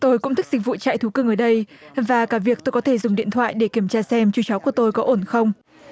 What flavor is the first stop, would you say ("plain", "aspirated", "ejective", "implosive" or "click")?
plain